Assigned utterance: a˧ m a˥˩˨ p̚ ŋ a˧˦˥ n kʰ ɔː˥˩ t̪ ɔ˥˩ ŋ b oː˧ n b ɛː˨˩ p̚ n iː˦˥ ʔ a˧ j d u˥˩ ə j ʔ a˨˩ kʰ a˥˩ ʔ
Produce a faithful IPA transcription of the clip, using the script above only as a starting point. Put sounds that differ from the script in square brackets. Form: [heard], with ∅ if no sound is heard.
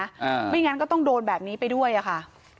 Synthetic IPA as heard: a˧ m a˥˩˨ [∅] ŋ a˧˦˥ n [k] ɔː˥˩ t̪ ɔ˥˩ ŋ [d] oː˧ n b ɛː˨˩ p̚ n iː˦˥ [p] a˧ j d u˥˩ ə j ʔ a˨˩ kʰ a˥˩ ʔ